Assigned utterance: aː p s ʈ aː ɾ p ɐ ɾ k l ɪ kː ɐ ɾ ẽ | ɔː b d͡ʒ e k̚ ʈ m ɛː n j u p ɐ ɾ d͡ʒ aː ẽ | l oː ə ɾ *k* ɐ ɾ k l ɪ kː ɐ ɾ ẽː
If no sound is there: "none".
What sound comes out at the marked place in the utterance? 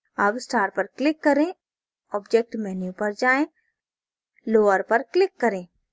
p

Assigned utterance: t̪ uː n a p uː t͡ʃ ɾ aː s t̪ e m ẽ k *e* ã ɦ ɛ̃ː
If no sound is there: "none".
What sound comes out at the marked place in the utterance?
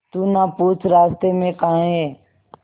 a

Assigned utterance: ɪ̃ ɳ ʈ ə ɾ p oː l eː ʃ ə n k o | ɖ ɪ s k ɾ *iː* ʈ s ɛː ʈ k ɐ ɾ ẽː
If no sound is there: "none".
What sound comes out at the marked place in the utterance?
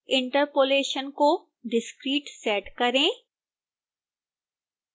iː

